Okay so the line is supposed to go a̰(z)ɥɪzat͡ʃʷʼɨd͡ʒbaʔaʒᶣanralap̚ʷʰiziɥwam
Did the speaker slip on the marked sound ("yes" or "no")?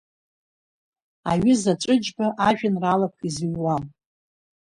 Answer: yes